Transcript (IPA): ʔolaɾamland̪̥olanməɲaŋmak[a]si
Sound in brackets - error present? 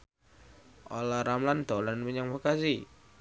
no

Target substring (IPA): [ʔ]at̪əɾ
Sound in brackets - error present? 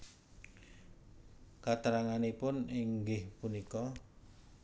yes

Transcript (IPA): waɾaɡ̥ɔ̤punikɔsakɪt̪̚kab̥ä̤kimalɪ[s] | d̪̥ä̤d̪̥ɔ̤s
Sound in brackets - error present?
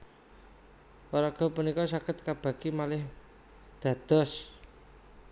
yes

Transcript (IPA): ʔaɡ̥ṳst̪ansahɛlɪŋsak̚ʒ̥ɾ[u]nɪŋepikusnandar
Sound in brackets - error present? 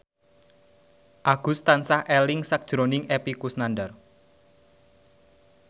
yes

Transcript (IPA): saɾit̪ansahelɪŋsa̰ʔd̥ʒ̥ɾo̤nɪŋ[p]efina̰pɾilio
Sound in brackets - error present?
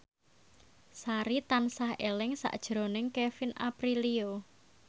yes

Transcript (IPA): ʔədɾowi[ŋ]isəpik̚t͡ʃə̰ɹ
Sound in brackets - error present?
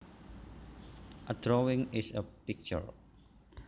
no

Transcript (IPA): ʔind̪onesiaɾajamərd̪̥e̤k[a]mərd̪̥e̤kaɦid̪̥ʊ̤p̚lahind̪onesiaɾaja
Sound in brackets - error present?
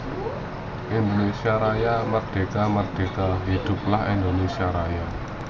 no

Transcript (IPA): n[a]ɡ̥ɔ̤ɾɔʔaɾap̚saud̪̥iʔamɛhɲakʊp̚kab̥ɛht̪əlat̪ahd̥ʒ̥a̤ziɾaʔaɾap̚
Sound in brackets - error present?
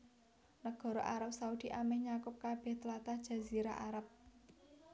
yes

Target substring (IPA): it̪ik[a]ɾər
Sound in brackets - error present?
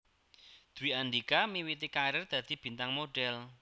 no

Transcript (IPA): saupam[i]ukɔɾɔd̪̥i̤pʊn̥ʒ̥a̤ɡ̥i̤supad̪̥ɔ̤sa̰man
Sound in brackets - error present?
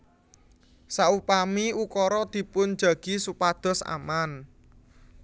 no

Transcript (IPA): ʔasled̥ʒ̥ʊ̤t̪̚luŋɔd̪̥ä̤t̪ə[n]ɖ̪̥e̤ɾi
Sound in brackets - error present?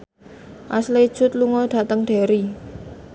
yes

